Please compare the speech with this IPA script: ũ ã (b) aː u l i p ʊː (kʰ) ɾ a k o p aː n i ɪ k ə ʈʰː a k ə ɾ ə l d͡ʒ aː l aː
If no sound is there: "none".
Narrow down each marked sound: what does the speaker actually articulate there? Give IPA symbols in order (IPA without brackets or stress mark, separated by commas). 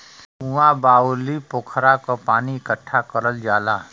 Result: b, kʰ